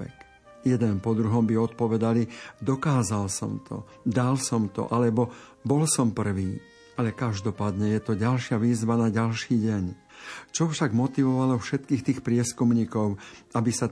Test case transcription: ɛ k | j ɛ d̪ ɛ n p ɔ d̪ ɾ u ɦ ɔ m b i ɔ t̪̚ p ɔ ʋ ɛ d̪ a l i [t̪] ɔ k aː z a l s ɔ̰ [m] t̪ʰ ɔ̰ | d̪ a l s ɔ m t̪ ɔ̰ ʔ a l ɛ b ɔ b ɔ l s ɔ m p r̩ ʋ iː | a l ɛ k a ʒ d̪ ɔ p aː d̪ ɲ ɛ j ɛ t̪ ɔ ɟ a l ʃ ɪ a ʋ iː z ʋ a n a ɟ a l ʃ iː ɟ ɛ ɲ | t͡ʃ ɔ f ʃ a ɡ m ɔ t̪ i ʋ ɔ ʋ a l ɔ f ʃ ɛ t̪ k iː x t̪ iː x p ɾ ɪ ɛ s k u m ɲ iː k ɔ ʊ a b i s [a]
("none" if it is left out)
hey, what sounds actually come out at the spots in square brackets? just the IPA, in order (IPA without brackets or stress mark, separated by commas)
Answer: d̪, m, a